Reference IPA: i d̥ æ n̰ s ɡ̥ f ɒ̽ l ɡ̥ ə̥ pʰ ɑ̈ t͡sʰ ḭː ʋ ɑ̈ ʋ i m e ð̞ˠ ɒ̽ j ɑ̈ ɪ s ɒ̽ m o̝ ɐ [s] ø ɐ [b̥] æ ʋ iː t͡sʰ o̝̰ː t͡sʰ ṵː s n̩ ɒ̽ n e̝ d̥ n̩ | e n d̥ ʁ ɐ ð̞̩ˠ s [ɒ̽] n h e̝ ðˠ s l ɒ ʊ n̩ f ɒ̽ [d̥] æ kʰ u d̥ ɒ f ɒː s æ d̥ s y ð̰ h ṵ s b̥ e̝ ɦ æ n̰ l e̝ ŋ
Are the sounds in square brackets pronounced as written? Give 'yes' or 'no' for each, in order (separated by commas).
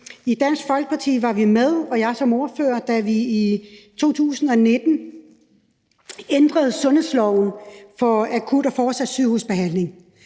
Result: no, no, no, no